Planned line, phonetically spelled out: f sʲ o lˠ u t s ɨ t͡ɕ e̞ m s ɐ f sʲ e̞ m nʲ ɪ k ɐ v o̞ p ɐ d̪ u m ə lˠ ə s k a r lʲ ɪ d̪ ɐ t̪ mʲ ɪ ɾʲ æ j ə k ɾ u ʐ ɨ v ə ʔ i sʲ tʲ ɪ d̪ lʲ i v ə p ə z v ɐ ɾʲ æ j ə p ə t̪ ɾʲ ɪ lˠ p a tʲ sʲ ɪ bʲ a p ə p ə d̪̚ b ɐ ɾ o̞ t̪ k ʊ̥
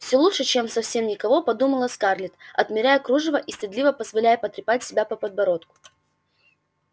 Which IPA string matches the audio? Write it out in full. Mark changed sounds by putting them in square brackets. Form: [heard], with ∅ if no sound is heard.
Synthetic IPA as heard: f sʲ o lˠ u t [ʂ] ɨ t͡ɕ e̞ m s ɐ f sʲ e̞ m nʲ ɪ k ɐ v o̞ p ɐ d̪ u m ə lˠ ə s k a r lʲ ɪ [t̪] ɐ t̪ mʲ ɪ ɾʲ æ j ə k ɾ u ʐ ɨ v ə ʔ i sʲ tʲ ɪ d̪ lʲ i v ə p ə z v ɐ [lʲ] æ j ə p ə t̪ ɾʲ ɪ [∅] p a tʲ sʲ ɪ bʲ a p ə p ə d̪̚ b ɐ ɾ o̞ t̪ k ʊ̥